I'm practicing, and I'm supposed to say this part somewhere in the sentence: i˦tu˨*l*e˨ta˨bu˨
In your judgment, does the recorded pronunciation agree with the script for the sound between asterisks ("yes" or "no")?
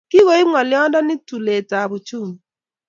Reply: yes